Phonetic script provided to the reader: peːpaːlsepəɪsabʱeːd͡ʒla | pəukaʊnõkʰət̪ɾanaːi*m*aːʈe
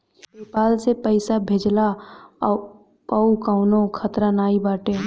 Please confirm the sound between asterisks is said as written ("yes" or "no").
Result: no